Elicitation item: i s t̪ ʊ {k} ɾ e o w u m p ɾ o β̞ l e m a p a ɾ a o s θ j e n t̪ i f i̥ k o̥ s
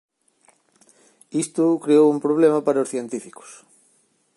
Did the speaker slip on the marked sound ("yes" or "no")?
no